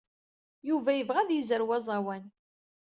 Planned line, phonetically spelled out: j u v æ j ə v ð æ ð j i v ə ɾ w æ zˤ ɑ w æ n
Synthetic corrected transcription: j u v æ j ə v ʁ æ ð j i z ə ɾ w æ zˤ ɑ w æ n